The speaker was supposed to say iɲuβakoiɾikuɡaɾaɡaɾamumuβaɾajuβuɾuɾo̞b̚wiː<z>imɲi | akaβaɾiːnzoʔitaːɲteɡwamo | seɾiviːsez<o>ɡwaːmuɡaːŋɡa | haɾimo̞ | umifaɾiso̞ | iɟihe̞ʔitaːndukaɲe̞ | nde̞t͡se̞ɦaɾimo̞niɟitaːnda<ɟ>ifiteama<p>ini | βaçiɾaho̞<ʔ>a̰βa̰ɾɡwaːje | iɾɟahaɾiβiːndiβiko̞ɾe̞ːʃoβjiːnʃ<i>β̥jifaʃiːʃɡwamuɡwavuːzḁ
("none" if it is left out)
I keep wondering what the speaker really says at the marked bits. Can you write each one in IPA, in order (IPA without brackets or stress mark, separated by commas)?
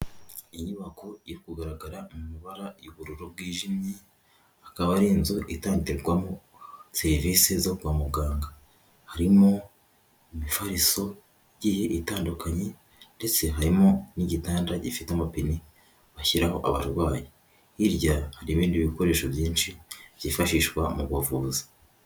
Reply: ʒ, o, ɟ, p, ʔ, i